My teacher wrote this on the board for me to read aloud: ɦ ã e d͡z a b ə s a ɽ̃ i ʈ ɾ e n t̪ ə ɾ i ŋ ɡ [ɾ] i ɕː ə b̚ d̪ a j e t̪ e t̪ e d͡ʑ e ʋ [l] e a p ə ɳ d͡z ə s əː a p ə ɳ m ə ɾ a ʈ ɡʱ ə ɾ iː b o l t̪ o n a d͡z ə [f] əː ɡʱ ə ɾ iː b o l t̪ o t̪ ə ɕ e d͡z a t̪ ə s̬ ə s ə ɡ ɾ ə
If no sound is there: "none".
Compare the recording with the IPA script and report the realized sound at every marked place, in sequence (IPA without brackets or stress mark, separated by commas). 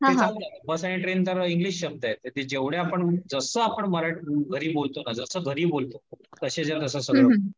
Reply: l, ɽ, s